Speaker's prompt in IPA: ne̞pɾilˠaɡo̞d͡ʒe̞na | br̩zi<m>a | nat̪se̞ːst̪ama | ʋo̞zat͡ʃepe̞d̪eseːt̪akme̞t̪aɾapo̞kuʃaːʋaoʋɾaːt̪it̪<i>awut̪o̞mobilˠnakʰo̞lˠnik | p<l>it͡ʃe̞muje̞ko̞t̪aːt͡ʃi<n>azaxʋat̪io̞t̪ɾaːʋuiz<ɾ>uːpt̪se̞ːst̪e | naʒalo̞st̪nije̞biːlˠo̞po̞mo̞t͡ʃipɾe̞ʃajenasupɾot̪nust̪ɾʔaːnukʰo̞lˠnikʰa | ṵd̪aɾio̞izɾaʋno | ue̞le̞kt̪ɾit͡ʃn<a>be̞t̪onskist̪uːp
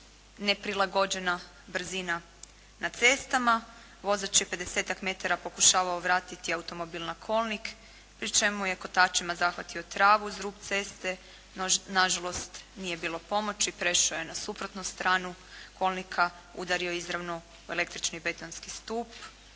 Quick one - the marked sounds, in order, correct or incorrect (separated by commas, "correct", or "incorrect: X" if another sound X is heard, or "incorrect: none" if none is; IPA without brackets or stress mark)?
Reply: incorrect: n, correct, incorrect: ɾ, incorrect: m, correct, incorrect: i